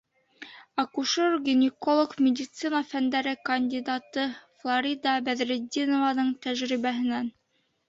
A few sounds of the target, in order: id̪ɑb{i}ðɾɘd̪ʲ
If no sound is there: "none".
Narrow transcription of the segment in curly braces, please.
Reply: æ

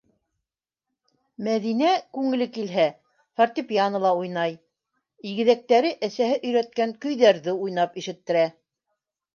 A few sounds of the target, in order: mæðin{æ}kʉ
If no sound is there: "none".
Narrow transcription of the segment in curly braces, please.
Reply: æ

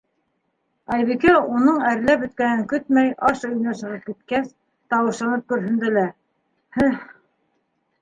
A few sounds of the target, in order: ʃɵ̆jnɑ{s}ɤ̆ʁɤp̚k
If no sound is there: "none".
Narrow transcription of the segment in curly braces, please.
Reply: ʃ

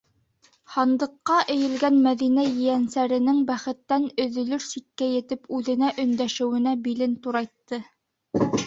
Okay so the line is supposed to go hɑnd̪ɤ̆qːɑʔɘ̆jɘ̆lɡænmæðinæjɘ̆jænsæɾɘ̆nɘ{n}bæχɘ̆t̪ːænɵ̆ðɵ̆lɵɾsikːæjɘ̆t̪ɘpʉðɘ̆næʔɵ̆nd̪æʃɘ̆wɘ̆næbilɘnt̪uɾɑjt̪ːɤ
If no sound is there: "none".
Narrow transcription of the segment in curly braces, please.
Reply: ŋ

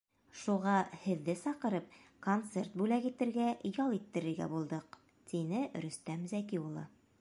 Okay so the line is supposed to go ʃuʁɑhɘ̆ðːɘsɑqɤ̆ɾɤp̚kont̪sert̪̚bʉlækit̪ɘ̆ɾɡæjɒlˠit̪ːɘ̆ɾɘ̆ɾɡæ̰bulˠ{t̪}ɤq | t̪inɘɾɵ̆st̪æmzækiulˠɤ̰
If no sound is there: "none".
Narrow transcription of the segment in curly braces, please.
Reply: d̪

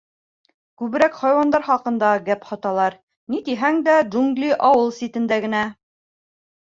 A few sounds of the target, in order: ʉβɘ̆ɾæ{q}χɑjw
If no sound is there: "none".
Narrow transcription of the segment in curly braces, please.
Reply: k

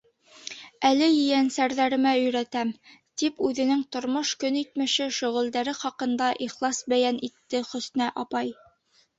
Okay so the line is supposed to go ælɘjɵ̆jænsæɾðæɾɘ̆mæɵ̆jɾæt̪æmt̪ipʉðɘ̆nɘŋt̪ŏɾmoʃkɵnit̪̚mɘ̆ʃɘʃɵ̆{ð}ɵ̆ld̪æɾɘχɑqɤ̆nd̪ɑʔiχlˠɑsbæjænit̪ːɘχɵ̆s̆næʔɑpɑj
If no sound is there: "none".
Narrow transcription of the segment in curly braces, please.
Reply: ʁ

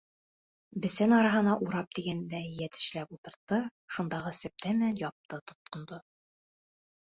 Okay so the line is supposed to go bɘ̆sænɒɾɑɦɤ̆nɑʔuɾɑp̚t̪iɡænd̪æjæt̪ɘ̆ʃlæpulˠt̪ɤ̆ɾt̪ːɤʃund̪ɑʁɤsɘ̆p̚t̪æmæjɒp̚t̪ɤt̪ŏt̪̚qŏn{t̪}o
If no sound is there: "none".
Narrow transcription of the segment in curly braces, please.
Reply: d̪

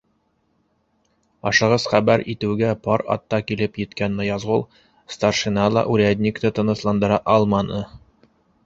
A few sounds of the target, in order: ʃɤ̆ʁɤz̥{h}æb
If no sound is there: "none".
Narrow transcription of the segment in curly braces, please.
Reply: χ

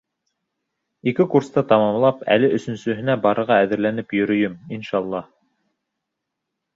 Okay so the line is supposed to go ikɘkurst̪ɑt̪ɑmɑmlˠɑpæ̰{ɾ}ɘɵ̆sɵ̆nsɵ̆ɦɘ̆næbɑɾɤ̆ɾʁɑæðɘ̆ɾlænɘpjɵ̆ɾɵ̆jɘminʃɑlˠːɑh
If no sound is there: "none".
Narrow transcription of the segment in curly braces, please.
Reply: l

